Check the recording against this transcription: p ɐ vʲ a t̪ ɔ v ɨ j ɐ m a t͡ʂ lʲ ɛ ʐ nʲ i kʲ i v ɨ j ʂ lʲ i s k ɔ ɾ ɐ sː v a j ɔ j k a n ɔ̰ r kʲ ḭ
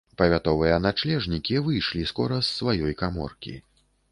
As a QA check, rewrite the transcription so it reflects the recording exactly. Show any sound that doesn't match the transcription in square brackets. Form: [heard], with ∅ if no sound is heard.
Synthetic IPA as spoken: p ɐ vʲ a t̪ ɔ v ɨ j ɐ [n] a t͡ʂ lʲ ɛ ʐ nʲ i kʲ i v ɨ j ʂ lʲ i s k ɔ ɾ ɐ sː v a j ɔ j k a [m] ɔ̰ r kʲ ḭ